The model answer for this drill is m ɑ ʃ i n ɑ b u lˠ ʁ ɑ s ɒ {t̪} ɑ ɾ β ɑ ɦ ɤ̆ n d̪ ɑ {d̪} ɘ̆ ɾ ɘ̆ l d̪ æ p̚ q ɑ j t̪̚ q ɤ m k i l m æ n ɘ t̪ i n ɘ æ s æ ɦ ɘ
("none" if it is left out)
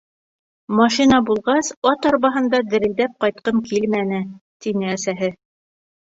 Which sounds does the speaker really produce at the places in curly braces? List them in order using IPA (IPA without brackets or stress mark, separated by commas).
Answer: t̪, d̪